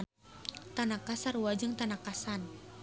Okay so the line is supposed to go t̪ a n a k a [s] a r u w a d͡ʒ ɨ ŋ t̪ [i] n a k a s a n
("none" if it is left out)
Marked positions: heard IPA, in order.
s, a

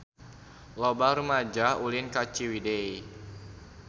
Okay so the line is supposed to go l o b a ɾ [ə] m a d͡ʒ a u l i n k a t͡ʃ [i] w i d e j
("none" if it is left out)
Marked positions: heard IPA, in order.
ə, i

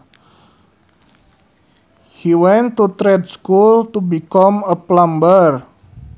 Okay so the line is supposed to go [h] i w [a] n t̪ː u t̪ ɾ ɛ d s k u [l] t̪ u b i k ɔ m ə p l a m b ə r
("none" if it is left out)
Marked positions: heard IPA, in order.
h, ɛ, l

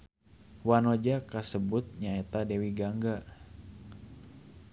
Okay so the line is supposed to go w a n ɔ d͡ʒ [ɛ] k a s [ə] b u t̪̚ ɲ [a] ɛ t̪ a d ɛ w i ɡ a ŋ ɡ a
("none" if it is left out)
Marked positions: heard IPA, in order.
a, ə, a

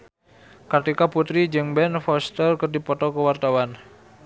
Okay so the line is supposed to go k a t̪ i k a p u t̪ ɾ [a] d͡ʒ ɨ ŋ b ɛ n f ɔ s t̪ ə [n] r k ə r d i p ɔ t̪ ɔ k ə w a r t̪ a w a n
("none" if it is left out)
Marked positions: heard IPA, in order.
i, none

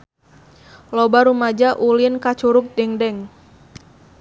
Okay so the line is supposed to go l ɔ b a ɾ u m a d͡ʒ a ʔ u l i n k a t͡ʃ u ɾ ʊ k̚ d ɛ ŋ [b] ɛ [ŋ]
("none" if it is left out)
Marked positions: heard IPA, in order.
d, ŋ

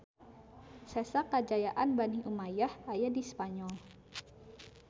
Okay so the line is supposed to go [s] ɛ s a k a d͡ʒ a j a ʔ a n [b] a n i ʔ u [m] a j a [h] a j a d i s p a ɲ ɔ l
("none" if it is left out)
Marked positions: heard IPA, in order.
s, b, m, h

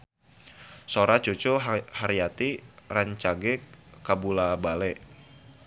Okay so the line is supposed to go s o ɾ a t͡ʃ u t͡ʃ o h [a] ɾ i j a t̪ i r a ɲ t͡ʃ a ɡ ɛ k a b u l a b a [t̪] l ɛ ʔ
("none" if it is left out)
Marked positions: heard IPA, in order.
a, none

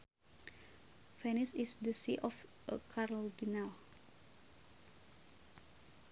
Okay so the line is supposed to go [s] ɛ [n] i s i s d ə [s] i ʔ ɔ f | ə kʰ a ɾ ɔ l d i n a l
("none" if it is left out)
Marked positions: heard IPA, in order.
f, n, s

